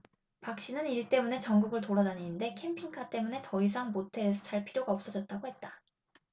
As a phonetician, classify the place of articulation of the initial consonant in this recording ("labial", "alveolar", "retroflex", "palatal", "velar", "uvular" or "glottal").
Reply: labial